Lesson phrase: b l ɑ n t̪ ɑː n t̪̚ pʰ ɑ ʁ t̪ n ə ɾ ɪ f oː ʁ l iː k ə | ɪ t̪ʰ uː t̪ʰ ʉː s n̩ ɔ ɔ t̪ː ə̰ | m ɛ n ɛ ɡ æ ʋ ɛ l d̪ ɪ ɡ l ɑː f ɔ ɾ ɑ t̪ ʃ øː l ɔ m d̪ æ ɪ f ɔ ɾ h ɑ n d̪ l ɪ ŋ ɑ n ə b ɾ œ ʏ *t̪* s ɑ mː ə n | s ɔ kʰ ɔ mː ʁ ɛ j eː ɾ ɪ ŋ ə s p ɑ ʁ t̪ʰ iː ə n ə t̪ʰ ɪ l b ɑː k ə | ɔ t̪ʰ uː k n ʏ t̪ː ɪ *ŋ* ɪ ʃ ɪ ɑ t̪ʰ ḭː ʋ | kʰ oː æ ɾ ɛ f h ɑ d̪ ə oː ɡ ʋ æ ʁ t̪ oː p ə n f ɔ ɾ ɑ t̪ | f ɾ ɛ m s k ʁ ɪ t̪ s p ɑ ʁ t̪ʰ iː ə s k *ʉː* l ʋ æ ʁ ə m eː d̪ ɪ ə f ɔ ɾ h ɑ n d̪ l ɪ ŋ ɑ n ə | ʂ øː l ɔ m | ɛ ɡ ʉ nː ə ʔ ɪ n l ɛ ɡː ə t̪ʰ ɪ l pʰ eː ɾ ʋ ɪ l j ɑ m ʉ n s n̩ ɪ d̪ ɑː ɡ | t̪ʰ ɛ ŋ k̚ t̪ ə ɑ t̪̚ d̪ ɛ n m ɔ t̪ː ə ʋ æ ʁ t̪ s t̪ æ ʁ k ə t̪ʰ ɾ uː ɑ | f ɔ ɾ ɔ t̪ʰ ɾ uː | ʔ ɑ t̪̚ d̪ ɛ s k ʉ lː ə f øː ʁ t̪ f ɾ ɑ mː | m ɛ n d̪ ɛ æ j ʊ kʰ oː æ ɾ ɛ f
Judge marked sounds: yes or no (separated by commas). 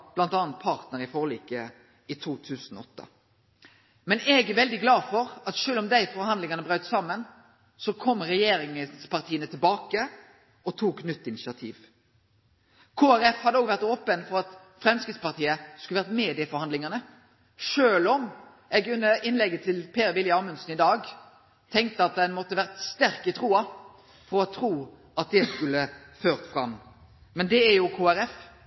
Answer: yes, no, no